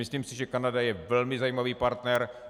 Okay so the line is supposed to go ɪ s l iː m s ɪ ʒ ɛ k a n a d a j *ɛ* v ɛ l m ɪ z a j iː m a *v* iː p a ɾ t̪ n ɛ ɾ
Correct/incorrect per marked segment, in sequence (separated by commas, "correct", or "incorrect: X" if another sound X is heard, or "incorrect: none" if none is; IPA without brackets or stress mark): correct, correct